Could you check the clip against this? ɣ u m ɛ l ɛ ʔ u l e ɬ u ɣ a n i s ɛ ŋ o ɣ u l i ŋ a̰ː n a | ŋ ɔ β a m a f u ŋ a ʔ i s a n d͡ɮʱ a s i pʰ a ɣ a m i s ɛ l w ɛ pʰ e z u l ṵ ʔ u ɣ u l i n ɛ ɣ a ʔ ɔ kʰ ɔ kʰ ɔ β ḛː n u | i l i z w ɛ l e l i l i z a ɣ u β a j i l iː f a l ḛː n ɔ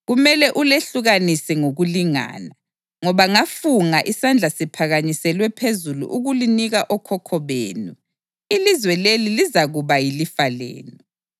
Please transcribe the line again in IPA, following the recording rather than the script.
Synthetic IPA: ɣ u m ɛ l ɛ ʔ u l e ɬ u ɣ a n i s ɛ ŋ o ɣ u l i ŋ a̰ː n a | ŋ ɔ β a ŋ a f u ŋ a ʔ i s a n d͡ɮʱ a s i pʰ a ɣ a ɲ i s ɛ l w ɛ pʰ e z u l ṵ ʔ u ɣ u l i n i ɣ a ʔ ɔ kʰ ɔ kʰ ɔ β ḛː n u | i l i z w ɛ l e l i l i z a ɣ u β a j i l i f a l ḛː n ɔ